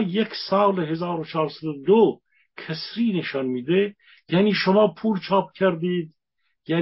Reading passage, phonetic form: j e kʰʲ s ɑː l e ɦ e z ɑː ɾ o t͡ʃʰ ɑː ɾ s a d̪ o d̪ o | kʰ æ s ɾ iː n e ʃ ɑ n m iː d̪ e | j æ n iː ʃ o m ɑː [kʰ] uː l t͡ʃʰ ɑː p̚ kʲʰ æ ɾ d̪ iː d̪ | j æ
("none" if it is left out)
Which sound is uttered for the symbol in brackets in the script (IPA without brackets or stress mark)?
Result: pʰ